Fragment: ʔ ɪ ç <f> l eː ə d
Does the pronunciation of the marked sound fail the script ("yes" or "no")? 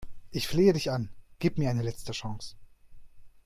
no